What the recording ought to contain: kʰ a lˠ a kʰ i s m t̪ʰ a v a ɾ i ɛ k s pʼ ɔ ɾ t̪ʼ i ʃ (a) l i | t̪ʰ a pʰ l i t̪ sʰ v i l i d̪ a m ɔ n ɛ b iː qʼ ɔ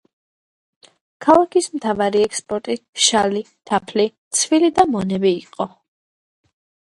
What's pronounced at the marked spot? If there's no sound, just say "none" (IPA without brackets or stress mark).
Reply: a